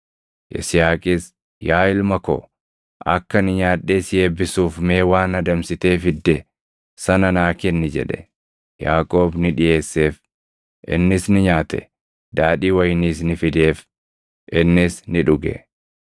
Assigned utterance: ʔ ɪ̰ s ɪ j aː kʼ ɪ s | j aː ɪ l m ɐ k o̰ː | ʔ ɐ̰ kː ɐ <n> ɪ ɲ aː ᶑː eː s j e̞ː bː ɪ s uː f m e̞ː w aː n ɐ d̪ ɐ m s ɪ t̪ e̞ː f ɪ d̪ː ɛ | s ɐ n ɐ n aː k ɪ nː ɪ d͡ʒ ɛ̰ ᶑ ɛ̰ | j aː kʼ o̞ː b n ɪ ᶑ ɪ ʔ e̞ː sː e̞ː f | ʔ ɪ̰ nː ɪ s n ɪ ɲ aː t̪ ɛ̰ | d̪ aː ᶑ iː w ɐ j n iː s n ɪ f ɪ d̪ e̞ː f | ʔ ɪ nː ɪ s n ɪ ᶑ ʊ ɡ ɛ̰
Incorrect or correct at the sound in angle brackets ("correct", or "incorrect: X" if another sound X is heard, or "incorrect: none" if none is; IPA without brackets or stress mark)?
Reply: correct